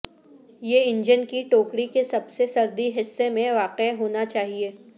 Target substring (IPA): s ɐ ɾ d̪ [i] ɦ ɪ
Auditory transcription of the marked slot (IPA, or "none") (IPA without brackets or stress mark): i